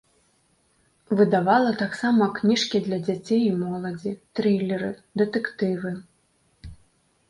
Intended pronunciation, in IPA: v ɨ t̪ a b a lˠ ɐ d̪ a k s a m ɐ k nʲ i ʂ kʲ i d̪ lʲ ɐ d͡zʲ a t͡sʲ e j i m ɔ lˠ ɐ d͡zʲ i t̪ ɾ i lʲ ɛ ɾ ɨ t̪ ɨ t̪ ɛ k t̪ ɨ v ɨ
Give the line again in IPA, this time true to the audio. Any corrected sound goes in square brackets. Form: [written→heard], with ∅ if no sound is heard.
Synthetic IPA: v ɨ [t̪→d̪] a [b→v] a lˠ ɐ [d̪→t̪] a k s a m ɐ k nʲ i ʂ kʲ i d̪ lʲ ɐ d͡zʲ a t͡sʲ e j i m ɔ lˠ ɐ d͡zʲ i t̪ ɾ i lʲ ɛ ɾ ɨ [t̪→d̪] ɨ t̪ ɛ k t̪ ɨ v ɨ